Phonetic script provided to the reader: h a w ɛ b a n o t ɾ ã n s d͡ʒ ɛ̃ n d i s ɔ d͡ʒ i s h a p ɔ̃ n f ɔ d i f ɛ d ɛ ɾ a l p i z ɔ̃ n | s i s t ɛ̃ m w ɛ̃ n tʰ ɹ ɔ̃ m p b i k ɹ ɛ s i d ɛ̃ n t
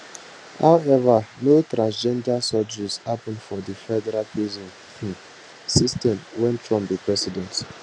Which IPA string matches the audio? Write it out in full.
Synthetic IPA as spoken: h a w ɛ v a n o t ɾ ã n s d͡ʒ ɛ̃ n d a s ɔ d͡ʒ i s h a p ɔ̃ n f ɔ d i f ɛ d ɛ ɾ a l p i z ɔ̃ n | s i s t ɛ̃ m w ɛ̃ n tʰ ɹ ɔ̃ m p b i p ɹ ɛ s i d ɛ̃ n t